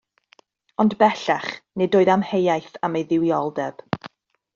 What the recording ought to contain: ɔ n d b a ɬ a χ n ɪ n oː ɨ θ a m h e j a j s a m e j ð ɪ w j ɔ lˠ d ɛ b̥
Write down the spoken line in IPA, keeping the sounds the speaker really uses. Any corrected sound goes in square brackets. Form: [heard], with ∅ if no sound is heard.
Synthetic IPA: ɔ n d b [ɛ] ɬ a χ n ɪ [d] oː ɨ [ð] a m h e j a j [θ] a m e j ð ɪ w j ɔ lˠ d ɛ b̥